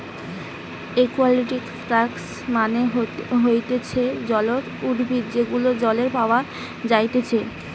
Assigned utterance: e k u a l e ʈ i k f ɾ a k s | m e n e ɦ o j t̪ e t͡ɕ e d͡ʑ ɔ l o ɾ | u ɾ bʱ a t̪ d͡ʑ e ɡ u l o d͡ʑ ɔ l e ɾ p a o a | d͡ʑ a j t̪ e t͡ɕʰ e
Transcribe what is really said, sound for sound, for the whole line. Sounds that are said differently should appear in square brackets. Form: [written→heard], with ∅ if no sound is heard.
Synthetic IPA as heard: e k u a l [e→i] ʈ i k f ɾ a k s | m [e→a] n e ɦ o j t̪ e [t͡ɕ→t͡ɕʰ] e d͡ʑ ɔ l o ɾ | u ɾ bʱ [a→i] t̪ d͡ʑ e ɡ u l o d͡ʑ ɔ l e ɾ p a o a | d͡ʑ a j t̪ e t͡ɕʰ e